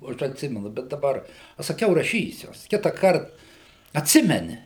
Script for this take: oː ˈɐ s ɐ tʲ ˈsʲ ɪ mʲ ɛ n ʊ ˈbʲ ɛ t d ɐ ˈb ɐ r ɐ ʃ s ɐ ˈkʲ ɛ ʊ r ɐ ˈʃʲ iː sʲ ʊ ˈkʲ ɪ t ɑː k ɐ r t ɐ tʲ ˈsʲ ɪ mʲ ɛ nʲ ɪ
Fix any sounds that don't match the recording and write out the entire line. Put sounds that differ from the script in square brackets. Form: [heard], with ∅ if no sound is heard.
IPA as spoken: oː ˈɐ [ʃ] ɐ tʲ ˈsʲ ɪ mʲ ɛ n ʊ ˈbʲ ɛ t d ɐ ˈb ɐ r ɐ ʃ s ɐ ˈkʲ ɛ ʊ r ɐ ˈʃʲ iː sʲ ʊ ˈkʲ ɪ t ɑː k ɐ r t ɐ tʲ ˈsʲ ɪ mʲ ɛ nʲ ɪ

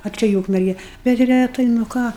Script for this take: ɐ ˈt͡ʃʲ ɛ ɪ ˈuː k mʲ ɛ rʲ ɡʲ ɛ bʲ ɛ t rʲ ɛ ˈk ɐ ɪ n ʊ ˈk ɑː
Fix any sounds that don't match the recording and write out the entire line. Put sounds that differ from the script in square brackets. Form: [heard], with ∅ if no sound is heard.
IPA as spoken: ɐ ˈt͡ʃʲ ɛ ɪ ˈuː k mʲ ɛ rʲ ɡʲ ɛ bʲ ɛ t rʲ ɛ [ˈt] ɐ ɪ n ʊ ˈk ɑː

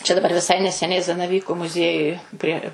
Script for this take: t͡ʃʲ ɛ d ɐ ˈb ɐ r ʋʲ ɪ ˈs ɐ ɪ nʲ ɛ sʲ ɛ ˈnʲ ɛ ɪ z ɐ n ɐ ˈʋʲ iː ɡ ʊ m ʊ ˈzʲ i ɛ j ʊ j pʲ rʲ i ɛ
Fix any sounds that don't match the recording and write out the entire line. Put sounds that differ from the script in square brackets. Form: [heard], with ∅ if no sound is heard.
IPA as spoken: t͡ʃʲ ɛ d ɐ ˈb ɐ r ʋʲ ɪ ˈs ɐ ɪ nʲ ɛ sʲ ɛ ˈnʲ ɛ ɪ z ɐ n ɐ ˈʋʲ iː [k] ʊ m ʊ ˈzʲ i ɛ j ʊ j pʲ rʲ i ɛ

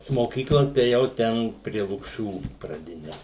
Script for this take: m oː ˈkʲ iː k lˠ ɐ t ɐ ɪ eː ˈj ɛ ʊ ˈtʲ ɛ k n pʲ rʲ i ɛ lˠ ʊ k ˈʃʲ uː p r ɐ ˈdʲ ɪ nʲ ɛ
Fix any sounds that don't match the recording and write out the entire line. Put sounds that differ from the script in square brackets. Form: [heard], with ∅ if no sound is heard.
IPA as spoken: m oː ˈkʲ iː k lˠ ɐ t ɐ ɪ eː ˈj ɛ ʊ ˈtʲ ɛ [∅] n pʲ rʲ i ɛ lˠ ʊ k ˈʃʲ uː p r ɐ ˈdʲ ɪ nʲ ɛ

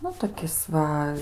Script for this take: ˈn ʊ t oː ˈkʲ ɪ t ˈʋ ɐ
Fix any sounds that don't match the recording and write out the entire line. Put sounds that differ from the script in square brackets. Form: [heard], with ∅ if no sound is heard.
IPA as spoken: ˈn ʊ t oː ˈkʲ ɪ [s] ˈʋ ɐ

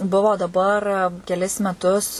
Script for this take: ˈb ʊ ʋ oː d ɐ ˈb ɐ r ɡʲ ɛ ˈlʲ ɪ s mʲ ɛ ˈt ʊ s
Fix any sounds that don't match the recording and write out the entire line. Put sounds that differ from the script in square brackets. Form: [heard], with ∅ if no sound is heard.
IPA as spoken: ˈb ʊ ʋ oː d ɐ ˈb ɐ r [kʲ] ɛ ˈlʲ ɪ s mʲ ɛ ˈt ʊ s

